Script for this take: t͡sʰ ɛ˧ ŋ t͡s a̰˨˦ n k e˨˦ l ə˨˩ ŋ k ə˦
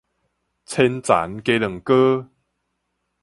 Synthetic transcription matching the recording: t͡sʰ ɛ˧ n t͡s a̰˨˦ n k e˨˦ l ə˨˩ ŋ k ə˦